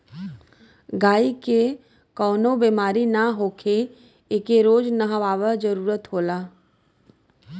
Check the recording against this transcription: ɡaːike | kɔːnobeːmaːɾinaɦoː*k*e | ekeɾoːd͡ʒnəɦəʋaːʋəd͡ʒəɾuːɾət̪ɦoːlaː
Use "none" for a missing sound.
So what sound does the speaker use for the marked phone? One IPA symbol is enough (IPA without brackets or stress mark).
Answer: kʰ